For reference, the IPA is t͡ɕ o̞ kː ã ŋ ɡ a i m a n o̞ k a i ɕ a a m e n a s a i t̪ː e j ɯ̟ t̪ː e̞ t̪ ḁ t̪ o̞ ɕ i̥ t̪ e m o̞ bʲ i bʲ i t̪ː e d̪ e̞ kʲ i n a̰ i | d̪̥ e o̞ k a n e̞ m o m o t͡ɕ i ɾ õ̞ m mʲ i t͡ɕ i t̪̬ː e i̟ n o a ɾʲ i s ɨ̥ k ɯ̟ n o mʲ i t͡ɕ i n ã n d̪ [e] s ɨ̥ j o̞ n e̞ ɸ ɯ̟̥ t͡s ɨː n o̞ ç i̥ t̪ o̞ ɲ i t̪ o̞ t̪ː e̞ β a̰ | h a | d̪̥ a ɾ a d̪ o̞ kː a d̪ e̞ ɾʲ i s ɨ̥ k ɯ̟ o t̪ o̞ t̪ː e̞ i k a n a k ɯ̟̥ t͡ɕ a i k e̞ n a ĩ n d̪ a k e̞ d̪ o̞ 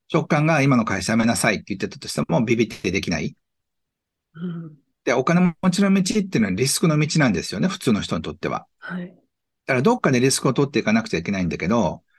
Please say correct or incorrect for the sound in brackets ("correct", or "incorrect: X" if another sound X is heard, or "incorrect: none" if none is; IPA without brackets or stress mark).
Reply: correct